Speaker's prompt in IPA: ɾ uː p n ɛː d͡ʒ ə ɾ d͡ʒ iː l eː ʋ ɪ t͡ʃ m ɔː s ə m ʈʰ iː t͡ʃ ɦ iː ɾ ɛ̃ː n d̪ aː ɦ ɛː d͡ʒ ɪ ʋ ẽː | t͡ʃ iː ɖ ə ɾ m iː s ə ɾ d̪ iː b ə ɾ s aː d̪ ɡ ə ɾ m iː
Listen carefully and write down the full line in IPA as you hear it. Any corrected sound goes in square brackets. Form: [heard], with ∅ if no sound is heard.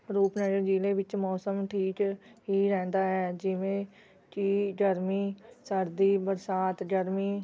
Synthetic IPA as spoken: ɾ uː p n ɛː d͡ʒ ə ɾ d͡ʒ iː l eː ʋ ɪ t͡ʃ m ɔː s ə m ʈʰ iː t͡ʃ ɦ iː ɾ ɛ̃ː n d̪ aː ɦ ɛː d͡ʒ ɪ ʋ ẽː | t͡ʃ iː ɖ ə ɾ m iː s ə ɾ d̪ iː b ə ɾ s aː [t̪] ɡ ə ɾ m iː

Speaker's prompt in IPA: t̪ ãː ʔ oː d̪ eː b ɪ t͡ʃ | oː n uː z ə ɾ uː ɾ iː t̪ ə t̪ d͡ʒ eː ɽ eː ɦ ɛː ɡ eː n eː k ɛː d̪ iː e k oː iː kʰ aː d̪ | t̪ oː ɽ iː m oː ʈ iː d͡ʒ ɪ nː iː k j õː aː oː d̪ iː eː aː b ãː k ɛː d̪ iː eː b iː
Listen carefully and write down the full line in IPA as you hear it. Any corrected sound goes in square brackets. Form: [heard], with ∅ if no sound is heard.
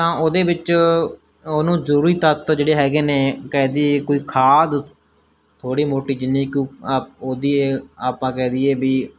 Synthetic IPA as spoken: t̪ ãː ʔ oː d̪ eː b ɪ t͡ʃ | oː n [ũː] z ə ɾ uː ɾ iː t̪ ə t̪ d͡ʒ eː ɽ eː ɦ ɛː ɡ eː n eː k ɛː d̪ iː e k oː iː kʰ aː d̪ | [t̪ʰ] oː ɽ iː m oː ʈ iː d͡ʒ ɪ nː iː k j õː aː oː d̪ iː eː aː [p] ãː k ɛː d̪ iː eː b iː

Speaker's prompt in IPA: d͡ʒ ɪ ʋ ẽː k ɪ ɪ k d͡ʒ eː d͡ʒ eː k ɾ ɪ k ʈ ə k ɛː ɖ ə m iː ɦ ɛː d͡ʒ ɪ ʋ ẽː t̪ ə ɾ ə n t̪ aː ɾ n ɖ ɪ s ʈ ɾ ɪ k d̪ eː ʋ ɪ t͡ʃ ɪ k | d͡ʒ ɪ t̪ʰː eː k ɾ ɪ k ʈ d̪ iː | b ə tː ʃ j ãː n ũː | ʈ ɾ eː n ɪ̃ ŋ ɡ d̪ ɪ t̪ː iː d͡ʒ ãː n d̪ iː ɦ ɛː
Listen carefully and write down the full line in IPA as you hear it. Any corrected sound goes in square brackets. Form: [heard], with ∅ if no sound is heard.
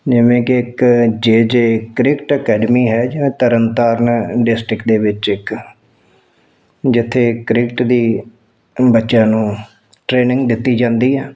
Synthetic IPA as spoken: d͡ʒ ɪ ʋ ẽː k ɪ ɪ k d͡ʒ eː d͡ʒ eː k ɾ ɪ k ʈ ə k ɛː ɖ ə m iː ɦ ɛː d͡ʒ ɪ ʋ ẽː t̪ ə ɾ ə n t̪ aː ɾ n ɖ ɪ s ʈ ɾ ɪ k d̪ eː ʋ ɪ t͡ʃ ɪ k | d͡ʒ ɪ t̪ʰː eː k ɾ ɪ k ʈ d̪ iː | b ə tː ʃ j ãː n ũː | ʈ ɾ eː n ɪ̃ ŋ ɡ d̪ ɪ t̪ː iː d͡ʒ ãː n d̪ iː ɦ ɛː

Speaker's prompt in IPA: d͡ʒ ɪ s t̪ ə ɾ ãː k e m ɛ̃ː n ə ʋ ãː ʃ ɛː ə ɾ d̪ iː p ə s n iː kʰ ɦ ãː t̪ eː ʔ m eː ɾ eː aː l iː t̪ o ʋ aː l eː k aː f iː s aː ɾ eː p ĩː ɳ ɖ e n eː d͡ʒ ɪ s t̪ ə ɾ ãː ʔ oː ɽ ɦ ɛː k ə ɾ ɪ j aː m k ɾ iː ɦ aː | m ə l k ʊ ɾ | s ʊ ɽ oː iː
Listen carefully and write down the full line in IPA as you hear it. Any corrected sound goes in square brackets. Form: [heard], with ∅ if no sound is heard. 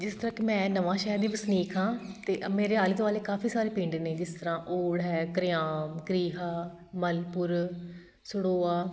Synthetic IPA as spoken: d͡ʒ ɪ s t̪ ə ɾ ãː k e m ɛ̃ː n ə ʋ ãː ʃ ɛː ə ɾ d̪ iː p ə s n iː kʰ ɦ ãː t̪ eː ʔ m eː ɾ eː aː l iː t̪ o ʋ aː l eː k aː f iː s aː ɾ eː p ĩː ɳ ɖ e n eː d͡ʒ ɪ s t̪ ə ɾ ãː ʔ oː ɽ ɦ ɛː k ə ɾ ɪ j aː m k ɾ iː ɦ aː | m ə l [p] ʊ ɾ | s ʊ ɽ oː [aː]

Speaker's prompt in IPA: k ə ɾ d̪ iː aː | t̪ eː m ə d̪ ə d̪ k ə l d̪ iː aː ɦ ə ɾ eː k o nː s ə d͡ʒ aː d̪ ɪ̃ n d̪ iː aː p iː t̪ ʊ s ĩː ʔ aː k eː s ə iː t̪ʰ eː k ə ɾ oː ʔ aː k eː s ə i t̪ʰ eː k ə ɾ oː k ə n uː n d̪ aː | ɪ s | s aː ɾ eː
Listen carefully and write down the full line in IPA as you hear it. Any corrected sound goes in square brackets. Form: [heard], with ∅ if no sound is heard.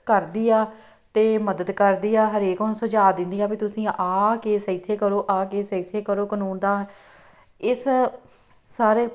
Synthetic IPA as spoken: k ə ɾ d̪ iː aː | t̪ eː m ə d̪ ə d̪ k ə [ɾ] d̪ iː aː ɦ ə ɾ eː k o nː s ə d͡ʒ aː d̪ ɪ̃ n d̪ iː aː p iː t̪ ʊ s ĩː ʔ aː k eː s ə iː t̪ʰ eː k ə ɾ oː ʔ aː k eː s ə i t̪ʰ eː k ə ɾ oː k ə n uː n d̪ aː | ɪ s | s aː ɾ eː

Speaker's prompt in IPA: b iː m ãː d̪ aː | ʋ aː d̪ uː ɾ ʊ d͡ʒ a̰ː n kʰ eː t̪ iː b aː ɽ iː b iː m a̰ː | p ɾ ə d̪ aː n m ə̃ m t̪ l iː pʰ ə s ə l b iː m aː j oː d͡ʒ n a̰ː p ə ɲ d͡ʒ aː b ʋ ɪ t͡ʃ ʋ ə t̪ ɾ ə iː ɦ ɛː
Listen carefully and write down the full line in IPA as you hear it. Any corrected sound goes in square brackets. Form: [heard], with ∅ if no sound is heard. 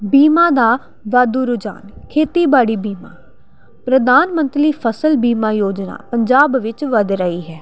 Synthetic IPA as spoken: b iː m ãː d̪ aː | ʋ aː d̪ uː ɾ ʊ d͡ʒ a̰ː n kʰ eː t̪ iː b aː ɽ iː b iː m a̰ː | p ɾ ə d̪ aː n m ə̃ [n] t̪ l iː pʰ ə s ə l b iː m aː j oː d͡ʒ n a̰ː p ə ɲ d͡ʒ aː b ʋ ɪ t͡ʃ ʋ ə [d̪] ɾ ə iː ɦ ɛː

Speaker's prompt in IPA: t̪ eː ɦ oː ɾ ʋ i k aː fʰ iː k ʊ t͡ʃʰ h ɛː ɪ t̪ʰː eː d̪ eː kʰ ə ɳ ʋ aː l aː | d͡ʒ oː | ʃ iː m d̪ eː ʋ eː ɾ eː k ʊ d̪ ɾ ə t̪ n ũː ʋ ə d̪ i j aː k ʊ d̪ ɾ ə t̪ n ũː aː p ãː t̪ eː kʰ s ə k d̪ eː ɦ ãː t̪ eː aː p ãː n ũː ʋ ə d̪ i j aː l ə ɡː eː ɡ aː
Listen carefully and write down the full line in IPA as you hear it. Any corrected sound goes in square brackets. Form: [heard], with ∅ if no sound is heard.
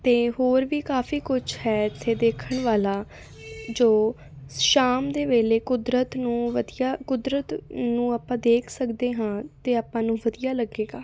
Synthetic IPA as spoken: t̪ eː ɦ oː ɾ ʋ [iː] k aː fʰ iː k ʊ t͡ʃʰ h ɛː ɪ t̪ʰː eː d̪ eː kʰ ə ɳ ʋ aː l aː | d͡ʒ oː | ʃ [aː] m d̪ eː ʋ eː [l] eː k ʊ d̪ ɾ ə t̪ n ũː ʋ ə d̪ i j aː k ʊ d̪ ɾ ə t̪ n ũː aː p ãː [d̪] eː kʰ s ə k d̪ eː ɦ ãː t̪ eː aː p ãː n ũː ʋ ə d̪ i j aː l ə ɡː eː ɡ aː

